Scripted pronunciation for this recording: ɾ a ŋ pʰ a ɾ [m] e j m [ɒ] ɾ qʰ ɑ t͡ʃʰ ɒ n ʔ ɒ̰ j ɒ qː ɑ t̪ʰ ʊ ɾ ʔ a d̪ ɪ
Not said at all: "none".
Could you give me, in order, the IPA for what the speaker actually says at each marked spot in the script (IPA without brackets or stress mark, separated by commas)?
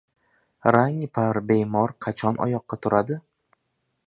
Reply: b, ɒ